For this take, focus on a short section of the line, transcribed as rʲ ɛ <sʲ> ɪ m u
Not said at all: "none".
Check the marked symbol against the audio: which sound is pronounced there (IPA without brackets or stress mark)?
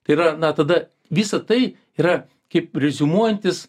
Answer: zʲ